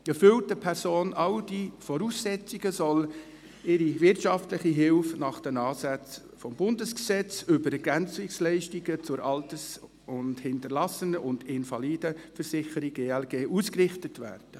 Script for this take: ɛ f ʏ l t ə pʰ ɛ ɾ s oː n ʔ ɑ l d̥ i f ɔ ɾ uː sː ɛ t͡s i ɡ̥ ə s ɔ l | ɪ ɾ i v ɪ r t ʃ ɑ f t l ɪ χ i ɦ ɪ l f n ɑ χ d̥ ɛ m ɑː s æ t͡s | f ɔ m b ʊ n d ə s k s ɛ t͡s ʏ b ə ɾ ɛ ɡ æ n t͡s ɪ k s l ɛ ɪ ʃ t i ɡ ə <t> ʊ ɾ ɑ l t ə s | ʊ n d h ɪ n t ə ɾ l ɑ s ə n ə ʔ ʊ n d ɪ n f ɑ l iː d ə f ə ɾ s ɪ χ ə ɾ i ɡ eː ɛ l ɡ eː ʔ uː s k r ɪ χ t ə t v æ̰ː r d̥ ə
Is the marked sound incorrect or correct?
incorrect